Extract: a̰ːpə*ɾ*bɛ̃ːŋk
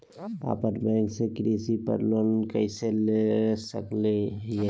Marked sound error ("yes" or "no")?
no